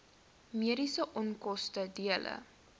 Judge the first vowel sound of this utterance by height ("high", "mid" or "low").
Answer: high